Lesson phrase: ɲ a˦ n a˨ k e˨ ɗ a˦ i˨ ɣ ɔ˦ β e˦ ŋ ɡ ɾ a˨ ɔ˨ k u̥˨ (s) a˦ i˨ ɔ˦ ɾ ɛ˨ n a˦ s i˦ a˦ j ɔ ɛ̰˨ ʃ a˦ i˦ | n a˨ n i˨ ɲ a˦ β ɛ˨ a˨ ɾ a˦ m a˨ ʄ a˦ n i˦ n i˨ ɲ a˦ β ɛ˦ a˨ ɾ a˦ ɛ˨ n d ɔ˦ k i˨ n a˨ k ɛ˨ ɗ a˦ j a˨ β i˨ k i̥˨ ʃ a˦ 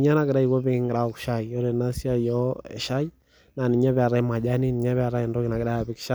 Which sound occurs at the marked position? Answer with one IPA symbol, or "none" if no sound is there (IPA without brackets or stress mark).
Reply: ʃ